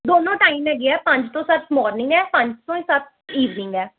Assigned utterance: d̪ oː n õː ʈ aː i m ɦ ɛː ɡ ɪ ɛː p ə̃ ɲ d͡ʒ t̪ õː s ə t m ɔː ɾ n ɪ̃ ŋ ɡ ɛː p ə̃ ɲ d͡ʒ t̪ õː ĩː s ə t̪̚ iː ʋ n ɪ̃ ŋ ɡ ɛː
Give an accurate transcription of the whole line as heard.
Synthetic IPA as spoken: d̪ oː n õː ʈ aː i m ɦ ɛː ɡ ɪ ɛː p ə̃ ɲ d͡ʒ t̪ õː s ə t m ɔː ɾ n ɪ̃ ŋ ɡ ɛː p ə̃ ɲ d͡ʒ t̪ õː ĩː s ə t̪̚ iː ʋ n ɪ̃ ŋ ɡ ɛː